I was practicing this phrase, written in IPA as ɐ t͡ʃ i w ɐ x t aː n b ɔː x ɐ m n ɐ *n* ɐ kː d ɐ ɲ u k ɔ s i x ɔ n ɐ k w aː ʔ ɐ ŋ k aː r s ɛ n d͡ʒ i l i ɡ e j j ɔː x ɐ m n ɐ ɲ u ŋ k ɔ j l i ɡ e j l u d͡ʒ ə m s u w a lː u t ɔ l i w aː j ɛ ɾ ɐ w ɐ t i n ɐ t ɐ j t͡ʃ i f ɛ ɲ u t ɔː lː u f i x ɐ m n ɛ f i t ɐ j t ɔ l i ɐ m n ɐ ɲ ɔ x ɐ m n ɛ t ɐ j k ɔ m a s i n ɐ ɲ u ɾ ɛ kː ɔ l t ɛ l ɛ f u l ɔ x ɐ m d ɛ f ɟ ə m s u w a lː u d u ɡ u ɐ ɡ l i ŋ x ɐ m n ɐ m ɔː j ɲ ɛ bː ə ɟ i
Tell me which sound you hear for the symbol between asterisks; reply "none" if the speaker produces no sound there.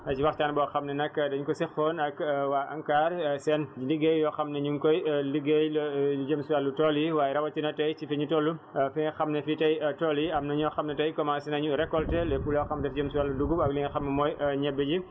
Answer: n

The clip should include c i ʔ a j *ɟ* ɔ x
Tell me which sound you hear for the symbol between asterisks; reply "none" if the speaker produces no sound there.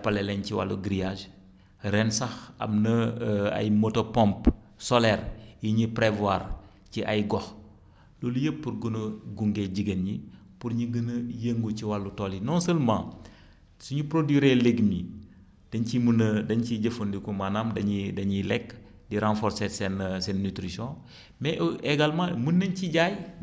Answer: ɡ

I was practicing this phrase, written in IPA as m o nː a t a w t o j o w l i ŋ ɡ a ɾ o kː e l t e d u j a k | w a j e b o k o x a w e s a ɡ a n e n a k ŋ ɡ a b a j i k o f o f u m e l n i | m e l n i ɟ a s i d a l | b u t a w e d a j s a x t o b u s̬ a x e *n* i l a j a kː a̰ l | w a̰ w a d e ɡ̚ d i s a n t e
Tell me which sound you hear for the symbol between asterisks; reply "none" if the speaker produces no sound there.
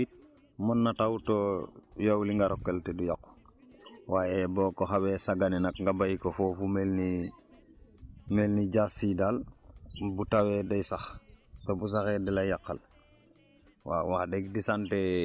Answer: d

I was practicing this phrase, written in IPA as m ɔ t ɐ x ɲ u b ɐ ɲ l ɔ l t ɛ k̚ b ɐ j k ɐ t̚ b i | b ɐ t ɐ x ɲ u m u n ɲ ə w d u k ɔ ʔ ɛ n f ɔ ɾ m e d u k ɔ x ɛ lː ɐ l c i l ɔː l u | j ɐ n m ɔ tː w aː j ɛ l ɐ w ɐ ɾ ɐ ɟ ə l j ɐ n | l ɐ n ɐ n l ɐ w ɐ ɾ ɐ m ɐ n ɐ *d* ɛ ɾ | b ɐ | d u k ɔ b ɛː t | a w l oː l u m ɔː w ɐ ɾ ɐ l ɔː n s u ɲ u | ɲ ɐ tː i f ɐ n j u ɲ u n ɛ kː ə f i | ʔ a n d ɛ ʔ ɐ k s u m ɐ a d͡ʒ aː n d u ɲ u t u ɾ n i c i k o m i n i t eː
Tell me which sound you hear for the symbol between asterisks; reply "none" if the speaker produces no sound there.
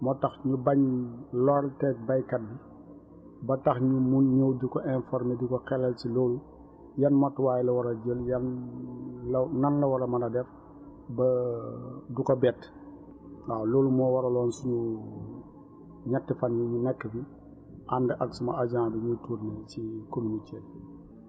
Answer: d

